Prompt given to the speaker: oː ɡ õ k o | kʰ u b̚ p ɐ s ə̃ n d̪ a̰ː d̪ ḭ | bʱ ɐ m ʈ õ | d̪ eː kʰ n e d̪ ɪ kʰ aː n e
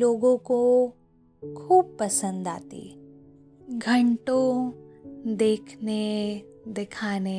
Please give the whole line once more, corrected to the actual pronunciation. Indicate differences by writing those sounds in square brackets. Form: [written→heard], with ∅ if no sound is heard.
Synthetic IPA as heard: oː ɡ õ k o | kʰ [u→uː] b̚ p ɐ s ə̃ n d̪ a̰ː [d̪→t̪] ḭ | [bʱ→ɡʱ] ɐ [m→ɳ] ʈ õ | d̪ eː kʰ n e d̪ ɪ kʰ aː n e